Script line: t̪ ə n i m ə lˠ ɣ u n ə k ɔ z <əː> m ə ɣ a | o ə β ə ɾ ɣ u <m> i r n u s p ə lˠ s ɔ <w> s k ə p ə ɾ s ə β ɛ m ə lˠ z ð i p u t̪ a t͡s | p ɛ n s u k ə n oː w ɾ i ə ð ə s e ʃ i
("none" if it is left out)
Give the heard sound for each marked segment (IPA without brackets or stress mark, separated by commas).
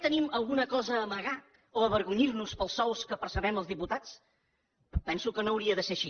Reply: əː, ɲ, w